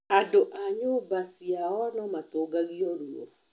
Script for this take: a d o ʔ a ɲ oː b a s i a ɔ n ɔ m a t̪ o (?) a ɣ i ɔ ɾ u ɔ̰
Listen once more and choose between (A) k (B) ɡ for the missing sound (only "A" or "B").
B